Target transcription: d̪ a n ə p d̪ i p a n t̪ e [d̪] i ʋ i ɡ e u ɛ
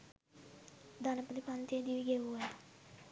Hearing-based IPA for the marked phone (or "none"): d̪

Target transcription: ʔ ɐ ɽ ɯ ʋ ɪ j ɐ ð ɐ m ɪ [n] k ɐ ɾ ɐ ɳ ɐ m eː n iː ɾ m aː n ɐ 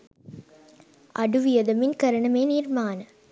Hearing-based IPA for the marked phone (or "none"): n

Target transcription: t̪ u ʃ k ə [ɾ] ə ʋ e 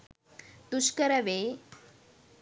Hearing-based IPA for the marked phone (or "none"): ɾ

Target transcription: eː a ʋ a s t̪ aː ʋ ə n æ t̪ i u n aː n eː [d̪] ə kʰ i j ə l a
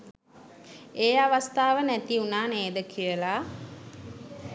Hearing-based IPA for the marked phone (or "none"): d̪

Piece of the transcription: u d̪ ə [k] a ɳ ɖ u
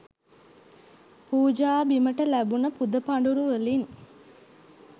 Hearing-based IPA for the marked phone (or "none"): p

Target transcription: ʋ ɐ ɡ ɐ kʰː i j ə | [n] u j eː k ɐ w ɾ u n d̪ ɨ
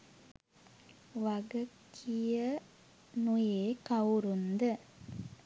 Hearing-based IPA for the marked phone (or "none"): n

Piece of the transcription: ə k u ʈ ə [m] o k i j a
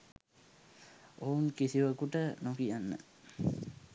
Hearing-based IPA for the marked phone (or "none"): n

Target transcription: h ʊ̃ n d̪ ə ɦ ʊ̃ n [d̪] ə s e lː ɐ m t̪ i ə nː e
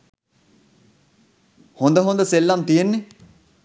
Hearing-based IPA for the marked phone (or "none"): d̪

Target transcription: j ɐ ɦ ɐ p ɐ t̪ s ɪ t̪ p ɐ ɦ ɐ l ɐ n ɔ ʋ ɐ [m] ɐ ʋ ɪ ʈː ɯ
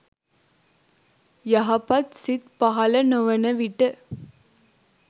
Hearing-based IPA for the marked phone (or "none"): n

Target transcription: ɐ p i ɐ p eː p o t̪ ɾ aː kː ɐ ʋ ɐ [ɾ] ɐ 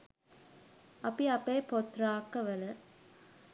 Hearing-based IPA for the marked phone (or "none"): l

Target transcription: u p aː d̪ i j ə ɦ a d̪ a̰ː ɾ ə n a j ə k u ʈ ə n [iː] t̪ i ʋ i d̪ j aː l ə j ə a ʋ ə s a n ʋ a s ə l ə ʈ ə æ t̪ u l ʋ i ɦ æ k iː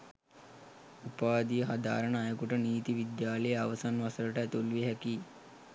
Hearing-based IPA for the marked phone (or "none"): iː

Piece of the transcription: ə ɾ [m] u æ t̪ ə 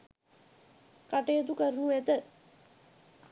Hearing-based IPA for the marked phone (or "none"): n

